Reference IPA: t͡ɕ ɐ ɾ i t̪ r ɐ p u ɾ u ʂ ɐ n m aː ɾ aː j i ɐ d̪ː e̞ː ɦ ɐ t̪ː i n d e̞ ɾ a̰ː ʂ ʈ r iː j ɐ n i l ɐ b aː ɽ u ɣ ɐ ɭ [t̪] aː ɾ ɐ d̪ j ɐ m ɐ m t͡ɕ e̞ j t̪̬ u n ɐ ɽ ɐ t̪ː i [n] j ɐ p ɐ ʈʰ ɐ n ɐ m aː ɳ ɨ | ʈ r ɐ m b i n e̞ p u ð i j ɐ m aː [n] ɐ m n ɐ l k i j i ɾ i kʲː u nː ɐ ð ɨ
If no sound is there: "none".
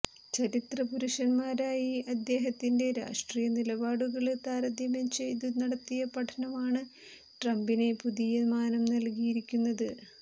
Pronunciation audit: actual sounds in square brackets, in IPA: t̪, none, n

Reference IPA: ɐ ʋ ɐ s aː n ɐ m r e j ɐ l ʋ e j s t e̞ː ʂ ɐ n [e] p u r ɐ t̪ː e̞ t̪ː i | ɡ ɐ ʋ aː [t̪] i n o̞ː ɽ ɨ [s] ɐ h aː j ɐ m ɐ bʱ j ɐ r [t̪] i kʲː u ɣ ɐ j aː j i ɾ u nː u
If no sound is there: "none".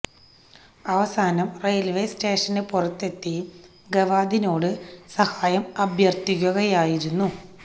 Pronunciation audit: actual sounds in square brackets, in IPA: e, d̪, s, t̪

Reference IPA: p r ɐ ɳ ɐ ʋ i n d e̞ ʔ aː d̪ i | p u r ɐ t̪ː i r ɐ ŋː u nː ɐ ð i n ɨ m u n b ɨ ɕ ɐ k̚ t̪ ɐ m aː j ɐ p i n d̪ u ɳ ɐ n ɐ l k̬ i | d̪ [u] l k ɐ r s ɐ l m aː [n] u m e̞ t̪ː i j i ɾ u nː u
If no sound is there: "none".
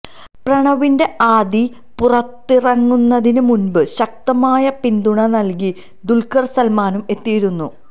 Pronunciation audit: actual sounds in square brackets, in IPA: u, n

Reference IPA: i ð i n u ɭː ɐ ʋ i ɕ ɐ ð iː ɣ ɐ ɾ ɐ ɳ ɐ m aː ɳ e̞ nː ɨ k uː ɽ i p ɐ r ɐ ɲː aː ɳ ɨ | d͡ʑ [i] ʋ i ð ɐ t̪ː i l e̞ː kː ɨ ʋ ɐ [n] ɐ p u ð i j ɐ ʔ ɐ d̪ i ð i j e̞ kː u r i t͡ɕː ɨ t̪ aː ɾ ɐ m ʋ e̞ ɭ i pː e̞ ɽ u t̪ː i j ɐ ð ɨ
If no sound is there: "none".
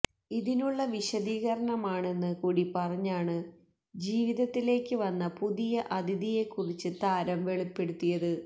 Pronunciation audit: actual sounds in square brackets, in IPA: iː, nː

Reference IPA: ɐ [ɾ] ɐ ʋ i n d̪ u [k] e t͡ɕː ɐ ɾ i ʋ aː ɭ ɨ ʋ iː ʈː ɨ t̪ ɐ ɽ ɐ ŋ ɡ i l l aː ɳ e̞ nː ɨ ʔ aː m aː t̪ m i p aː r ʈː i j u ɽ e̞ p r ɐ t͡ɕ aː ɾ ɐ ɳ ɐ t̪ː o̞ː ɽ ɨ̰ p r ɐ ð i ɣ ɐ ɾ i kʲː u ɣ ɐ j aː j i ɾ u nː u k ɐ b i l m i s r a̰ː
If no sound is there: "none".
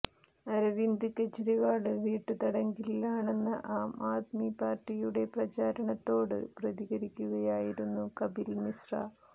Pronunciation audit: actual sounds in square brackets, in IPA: ɾ, k

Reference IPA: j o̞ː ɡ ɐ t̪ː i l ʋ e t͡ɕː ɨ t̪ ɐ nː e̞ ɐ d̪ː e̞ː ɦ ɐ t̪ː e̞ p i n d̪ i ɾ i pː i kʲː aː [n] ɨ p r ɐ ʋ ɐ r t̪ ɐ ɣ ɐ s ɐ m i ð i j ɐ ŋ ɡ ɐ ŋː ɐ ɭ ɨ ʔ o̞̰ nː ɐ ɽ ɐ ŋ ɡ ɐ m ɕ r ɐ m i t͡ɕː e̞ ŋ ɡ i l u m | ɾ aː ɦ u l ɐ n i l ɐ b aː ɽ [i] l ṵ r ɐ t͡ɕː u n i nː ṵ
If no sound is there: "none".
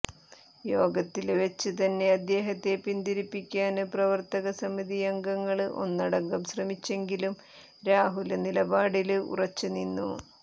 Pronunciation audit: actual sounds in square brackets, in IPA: n, i

